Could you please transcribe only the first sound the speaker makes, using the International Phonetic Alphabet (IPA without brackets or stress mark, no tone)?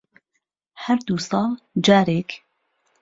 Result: h